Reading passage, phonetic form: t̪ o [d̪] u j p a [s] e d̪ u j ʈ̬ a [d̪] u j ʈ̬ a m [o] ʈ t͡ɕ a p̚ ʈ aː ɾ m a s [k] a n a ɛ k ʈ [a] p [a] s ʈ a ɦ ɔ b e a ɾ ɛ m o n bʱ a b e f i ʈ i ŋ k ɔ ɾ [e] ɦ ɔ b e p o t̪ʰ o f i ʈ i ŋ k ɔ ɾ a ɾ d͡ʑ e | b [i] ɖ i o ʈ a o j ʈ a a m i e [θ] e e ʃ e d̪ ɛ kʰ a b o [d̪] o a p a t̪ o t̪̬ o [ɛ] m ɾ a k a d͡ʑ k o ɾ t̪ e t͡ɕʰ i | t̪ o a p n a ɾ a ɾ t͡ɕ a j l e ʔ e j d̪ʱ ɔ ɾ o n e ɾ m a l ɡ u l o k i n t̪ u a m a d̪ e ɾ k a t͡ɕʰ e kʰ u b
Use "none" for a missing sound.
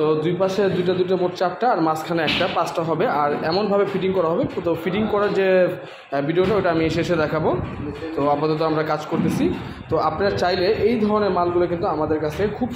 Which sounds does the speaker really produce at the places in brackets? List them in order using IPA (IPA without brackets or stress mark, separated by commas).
d̪, ʃ, d̪, o, kʰ, a, a, a, i, ʃ, t̪, a